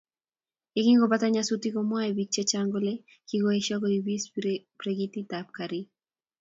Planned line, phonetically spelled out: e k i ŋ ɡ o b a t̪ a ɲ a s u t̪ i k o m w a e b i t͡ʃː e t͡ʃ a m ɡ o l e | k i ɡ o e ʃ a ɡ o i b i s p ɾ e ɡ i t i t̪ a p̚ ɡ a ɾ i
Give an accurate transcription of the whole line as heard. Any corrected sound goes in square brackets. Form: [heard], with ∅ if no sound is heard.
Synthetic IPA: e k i ŋ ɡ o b a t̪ a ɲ a s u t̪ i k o m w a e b i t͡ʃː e t͡ʃ a [ŋ] ɡ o l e | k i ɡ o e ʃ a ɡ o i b i s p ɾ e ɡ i t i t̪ a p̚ [k] a ɾ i